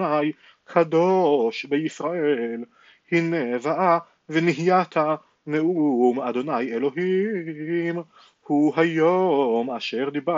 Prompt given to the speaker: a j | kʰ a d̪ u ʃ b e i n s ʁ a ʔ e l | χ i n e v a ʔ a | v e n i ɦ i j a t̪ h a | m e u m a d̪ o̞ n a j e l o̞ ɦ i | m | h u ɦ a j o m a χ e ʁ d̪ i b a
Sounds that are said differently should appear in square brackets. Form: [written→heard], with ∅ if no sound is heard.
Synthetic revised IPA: a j | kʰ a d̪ [u→o] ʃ b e i [n→∅] s ʁ a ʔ e l | [χ→h] i n e v a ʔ a | v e n i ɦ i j a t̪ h a | [m→n] e u m a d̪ o̞ n a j e l o̞ ɦ i | m | h u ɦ a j o m a [χ→ʃ] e ʁ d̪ i b a